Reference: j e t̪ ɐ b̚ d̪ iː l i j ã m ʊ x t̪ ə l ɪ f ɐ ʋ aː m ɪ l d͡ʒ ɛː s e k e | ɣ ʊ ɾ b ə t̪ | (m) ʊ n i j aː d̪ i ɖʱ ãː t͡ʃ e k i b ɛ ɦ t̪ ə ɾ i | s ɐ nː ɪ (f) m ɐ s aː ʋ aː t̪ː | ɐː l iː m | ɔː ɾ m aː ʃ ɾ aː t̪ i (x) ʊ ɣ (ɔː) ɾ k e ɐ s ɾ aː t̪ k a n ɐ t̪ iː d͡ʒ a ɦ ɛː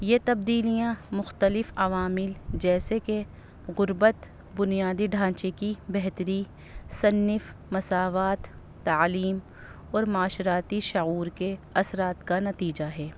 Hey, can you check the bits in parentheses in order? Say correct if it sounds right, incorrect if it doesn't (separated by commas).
incorrect, correct, incorrect, incorrect